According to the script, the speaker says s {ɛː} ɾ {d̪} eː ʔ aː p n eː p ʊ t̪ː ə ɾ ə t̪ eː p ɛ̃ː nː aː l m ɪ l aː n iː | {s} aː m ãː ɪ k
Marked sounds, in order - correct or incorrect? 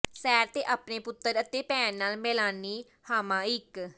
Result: correct, incorrect, incorrect

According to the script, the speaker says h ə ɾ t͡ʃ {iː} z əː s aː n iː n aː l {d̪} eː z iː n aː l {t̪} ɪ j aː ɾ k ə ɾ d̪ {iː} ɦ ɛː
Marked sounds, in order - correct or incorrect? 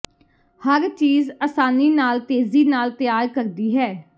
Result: correct, incorrect, correct, correct

